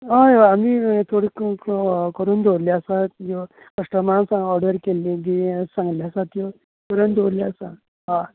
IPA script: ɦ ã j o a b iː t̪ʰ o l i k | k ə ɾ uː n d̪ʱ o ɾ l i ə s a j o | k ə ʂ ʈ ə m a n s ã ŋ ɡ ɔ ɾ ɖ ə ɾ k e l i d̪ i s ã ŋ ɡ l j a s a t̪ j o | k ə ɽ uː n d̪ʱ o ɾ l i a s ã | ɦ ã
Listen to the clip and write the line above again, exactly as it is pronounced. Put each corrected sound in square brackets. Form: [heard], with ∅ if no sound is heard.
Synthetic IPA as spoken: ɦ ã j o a [m] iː t̪ʰ o [ɽ] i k | k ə ɾ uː n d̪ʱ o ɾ l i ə s a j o | k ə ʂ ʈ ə m a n s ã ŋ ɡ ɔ ɾ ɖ ə ɾ k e l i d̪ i s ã ŋ ɡ l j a s a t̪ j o | k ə [ɾ] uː n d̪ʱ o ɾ l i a s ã | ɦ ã